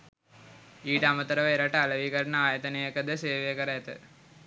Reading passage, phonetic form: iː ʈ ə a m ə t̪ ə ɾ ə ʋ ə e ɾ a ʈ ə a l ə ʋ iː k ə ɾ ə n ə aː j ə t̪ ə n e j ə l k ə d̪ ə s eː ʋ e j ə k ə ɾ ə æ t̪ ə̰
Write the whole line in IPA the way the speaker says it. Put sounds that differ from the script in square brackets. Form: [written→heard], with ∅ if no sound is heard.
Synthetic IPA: iː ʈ ə a m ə t̪ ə ɾ ə ʋ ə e ɾ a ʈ ə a l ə ʋ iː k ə ɾ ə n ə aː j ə t̪ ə n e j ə [l→∅] k ə d̪ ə s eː ʋ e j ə k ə ɾ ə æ t̪ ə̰